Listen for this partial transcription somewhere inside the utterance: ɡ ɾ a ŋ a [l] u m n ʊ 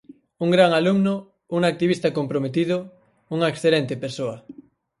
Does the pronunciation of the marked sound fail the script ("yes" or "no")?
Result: no